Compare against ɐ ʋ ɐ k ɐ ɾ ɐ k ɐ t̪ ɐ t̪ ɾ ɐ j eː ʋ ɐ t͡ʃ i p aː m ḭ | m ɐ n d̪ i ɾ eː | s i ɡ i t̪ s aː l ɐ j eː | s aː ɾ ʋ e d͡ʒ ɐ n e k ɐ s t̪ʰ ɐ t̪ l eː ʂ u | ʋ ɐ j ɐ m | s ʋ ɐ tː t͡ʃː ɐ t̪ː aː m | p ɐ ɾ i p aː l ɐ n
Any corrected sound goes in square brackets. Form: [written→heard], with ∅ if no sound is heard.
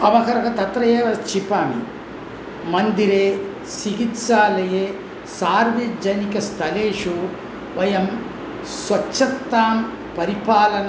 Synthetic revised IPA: ɐ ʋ ɐ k ɐ ɾ ɐ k ɐ t̪ ɐ t̪ ɾ ɐ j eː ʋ ɐ t͡ʃ i p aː m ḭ | m ɐ n d̪ i ɾ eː | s i ɡ i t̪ s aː l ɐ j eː | s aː ɾ ʋ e d͡ʒ ɐ n [e→i] k ɐ s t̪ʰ ɐ [t̪→∅] l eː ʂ u | ʋ ɐ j ɐ m | s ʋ ɐ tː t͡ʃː ɐ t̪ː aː m | p ɐ ɾ i p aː l ɐ n